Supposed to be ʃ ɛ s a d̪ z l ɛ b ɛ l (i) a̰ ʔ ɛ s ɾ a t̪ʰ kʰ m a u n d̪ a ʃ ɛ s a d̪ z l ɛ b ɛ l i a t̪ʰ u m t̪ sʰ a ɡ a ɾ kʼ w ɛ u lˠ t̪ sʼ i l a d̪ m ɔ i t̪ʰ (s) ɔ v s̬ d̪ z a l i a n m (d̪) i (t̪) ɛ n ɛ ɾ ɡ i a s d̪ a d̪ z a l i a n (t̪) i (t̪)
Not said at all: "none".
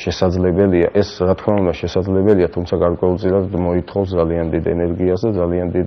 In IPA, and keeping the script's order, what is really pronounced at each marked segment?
i, χ, d̪, d̪, d̪, d̪

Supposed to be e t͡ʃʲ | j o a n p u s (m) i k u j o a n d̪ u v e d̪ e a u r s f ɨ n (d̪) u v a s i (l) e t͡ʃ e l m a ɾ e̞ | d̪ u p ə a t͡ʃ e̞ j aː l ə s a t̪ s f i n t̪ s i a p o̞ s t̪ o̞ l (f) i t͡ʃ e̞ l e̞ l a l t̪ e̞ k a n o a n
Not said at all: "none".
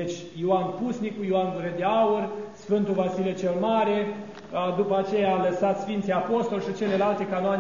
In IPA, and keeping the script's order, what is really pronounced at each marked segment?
n, t̪, l, ʃ

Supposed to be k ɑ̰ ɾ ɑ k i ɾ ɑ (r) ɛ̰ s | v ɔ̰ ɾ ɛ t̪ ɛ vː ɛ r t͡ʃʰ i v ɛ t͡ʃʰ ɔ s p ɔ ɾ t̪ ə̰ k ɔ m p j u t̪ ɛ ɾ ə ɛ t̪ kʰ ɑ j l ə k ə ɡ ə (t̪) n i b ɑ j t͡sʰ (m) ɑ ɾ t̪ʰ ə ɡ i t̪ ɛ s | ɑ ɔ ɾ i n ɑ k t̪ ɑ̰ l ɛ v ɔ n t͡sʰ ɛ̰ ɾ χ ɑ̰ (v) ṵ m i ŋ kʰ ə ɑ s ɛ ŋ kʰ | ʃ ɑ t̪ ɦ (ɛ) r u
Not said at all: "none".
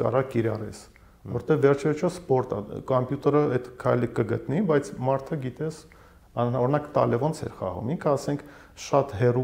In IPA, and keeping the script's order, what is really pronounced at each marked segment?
r, t̪, m, ʁ, ɛ

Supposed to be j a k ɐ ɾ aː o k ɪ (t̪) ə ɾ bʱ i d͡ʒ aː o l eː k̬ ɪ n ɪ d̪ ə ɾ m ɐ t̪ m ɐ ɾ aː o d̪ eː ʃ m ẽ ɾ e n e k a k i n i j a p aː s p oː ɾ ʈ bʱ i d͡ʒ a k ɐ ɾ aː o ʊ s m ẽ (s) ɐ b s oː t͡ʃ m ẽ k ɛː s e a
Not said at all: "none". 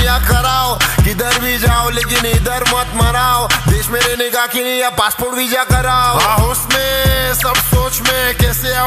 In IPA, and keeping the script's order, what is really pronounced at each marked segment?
d̪, s

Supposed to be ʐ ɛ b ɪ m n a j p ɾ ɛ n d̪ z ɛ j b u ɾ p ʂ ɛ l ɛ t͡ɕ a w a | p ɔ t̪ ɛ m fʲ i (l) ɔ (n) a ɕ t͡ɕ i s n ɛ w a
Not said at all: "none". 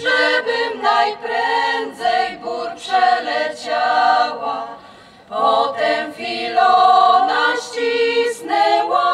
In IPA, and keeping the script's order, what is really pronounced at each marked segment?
l, n

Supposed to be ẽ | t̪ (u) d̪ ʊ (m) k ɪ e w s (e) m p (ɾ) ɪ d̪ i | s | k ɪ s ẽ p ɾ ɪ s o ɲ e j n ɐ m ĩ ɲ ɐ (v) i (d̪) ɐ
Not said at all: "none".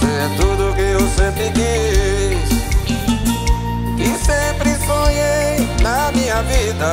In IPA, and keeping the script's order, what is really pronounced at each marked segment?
u, none, ẽ, ɾ, v, d̪

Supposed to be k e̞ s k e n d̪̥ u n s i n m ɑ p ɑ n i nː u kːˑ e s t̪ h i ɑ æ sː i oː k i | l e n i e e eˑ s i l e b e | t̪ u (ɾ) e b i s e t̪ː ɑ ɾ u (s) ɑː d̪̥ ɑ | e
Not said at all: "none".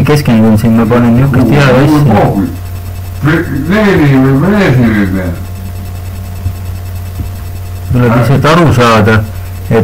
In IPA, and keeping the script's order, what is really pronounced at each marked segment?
l, s

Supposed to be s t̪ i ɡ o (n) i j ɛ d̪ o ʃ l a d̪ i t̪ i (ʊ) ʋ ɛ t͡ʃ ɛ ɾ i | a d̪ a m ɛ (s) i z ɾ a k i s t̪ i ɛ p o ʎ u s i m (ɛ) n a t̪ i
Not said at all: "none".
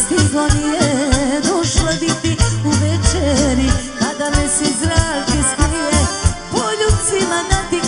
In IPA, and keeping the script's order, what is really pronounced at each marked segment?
n, u, s, a

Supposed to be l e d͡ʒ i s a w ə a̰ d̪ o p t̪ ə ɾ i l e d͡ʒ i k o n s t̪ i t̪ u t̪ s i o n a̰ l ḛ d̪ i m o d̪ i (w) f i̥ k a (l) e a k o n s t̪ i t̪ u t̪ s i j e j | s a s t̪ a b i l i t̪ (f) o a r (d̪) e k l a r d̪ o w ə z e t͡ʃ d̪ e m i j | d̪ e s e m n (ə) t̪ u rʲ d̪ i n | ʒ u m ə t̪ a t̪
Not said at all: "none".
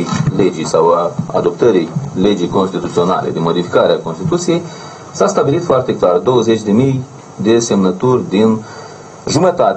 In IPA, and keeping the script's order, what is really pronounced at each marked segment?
none, ɾ, f, t̪, ə

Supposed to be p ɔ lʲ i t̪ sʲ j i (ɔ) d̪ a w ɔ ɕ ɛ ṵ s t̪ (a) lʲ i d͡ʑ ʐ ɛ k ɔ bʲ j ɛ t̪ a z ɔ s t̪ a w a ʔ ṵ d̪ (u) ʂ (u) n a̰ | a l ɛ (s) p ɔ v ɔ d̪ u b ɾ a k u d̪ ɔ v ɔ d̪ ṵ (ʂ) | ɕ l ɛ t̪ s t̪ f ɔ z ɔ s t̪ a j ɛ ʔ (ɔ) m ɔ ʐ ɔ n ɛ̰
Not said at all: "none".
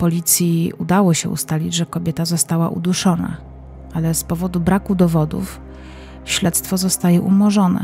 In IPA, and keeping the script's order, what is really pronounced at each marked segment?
u, a, u, ɔ, s, f, u

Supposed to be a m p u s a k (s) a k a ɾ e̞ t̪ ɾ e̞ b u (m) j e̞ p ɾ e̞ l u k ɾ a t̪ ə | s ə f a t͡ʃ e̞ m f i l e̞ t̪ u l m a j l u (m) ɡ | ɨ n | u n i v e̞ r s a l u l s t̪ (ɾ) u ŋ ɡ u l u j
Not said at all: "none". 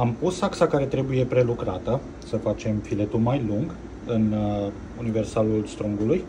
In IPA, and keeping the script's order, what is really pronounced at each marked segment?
s, none, ŋ, ɾ

